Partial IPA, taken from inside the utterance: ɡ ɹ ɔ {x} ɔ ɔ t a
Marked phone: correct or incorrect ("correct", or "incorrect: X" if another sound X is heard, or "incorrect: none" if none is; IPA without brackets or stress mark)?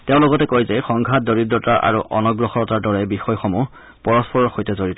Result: correct